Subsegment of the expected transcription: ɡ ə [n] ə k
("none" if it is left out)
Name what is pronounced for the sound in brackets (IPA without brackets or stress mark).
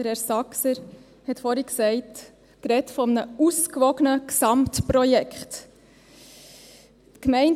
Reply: n